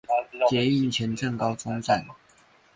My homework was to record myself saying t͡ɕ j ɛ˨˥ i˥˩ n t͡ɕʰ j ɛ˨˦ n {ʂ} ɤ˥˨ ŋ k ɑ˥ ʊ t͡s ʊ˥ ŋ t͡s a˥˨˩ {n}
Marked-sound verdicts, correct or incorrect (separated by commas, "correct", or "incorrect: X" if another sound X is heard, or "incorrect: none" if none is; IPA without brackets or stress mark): incorrect: ʈ͡ʂ, correct